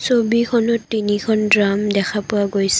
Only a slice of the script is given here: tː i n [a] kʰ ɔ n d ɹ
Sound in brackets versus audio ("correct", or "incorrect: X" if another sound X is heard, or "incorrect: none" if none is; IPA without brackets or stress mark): incorrect: i